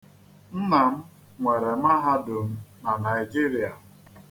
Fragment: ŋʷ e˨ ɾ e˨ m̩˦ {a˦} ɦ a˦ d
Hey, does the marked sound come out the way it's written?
yes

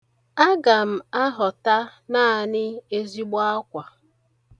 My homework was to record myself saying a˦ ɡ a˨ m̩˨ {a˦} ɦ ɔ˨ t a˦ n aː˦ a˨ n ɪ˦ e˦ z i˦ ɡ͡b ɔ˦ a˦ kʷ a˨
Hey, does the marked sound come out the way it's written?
yes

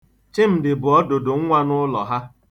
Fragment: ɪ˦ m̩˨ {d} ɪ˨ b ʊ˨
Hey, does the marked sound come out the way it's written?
yes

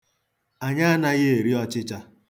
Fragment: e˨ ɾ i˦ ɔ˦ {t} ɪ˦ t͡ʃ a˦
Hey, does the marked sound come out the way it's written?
no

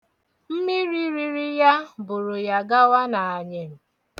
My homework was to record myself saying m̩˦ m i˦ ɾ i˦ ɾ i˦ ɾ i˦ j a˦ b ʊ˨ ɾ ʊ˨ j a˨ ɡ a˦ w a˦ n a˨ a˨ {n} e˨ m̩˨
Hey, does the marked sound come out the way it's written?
no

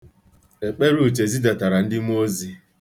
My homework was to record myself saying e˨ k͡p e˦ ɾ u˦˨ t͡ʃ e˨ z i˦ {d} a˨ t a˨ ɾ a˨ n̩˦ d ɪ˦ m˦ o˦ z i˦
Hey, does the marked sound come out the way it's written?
yes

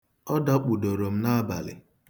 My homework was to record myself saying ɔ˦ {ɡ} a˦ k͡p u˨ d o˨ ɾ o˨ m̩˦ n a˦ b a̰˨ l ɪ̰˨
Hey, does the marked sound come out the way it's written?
no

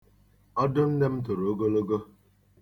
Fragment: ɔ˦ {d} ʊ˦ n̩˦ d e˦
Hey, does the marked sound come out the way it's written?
yes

